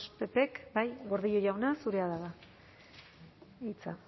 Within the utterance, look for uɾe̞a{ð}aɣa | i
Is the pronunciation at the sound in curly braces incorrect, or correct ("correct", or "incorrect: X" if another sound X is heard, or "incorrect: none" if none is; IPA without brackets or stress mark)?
correct